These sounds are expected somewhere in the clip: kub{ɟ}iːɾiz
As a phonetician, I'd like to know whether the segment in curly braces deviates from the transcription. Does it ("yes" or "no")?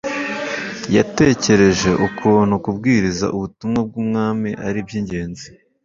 yes